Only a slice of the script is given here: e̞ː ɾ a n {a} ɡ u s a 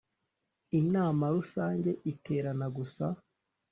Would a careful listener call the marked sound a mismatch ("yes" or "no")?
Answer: no